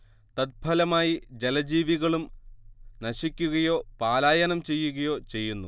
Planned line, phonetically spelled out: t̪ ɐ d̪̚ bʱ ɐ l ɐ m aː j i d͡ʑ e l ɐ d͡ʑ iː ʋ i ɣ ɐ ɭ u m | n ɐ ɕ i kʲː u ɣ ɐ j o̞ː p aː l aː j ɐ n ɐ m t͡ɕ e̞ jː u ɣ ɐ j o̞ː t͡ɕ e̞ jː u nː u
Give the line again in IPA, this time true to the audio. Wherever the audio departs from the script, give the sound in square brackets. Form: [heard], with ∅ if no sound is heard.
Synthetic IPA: t̪ ɐ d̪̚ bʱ ɐ l ɐ m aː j i d͡ʑ e l ɐ d͡ʑ iː ʋ i ɣ ɐ ɭ u m | n ɐ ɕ i kʲː u ɣ ɐ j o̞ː p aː l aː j ɐ n ɐ m t͡ɕ e̞ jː u ɣ ɐ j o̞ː t͡ɕ e̞ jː u nː u